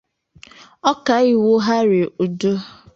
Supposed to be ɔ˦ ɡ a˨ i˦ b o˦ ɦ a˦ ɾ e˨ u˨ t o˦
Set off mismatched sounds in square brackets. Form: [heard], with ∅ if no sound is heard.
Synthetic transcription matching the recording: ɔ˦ [k] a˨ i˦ [w] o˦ ɦ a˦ ɾ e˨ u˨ [d] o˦